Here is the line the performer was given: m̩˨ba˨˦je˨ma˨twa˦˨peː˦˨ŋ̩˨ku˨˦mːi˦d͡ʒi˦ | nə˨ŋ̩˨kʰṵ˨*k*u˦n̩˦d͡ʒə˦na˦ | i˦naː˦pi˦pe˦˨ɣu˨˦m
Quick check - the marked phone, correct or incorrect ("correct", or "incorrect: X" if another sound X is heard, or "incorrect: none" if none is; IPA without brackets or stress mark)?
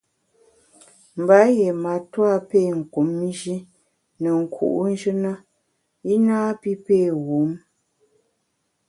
incorrect: ʔ